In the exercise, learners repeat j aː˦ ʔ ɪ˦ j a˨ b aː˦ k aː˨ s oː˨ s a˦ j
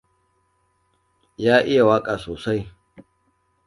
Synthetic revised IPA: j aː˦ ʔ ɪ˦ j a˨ w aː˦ kʼ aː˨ s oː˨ s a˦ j